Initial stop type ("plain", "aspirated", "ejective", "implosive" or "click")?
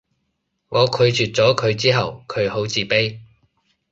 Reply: aspirated